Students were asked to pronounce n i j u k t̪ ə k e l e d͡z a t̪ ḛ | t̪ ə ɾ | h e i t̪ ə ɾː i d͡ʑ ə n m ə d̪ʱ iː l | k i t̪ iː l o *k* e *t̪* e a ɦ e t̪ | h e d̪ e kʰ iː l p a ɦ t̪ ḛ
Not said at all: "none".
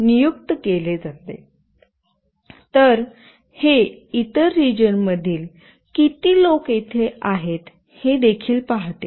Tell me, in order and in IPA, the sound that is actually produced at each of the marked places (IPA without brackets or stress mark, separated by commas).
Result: k, t̪ʰ